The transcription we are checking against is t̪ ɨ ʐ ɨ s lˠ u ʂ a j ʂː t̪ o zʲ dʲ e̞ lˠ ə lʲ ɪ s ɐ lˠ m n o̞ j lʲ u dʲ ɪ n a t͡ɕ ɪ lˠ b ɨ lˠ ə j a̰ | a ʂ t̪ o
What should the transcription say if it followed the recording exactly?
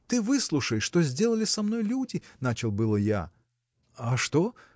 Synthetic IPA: t̪ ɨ v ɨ s lˠ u ʂ ə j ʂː t̪ o zʲ dʲ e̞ lˠ ə lʲ ɪ s ɐ m n o̞ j lʲ u dʲ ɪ n a t͡ɕ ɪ lˠ b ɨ lˠ ə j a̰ | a ʂ t̪ o